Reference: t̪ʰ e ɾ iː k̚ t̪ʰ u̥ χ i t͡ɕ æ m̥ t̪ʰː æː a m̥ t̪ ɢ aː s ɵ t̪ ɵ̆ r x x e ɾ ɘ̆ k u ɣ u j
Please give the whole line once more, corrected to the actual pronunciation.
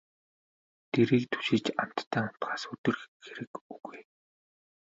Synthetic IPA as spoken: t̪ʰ e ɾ iː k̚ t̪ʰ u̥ ʃ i t͡ɕ a m̥ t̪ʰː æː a m̥ t̪ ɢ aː s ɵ t̪ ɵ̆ r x x e ɾ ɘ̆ k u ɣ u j